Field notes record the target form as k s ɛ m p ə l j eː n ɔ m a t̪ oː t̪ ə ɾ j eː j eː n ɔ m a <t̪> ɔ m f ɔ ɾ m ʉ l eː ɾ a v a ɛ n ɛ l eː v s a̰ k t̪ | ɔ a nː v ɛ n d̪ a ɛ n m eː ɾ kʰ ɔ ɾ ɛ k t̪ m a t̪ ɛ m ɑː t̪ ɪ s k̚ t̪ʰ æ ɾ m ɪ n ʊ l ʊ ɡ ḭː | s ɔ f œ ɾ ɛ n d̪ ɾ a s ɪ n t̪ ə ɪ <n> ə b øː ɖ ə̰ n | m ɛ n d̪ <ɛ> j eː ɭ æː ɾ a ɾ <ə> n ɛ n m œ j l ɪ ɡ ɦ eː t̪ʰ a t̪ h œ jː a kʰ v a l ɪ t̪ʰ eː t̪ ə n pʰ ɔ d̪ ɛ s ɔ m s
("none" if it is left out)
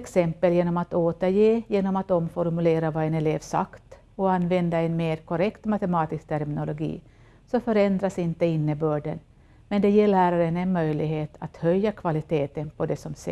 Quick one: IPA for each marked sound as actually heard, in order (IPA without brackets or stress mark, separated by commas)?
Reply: t̪, nː, ɛ, ə